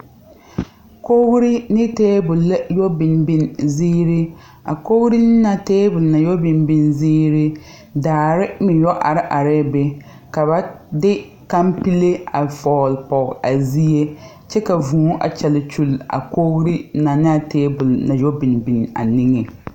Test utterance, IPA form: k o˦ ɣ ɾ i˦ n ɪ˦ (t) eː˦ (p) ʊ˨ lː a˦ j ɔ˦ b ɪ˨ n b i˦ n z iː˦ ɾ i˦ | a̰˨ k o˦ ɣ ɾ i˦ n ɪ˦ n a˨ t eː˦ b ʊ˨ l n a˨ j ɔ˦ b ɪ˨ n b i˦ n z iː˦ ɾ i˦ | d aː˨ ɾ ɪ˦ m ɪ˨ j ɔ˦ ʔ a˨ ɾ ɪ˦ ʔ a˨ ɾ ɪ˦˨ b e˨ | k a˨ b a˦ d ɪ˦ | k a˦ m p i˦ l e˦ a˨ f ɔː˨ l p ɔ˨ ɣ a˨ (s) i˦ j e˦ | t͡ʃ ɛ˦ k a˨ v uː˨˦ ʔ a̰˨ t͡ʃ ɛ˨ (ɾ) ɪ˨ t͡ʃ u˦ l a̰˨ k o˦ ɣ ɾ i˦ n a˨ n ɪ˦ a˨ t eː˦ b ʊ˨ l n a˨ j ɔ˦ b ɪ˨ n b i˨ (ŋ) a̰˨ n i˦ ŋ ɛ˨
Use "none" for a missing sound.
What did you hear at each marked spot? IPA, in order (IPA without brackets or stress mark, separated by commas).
t, b, z, l, n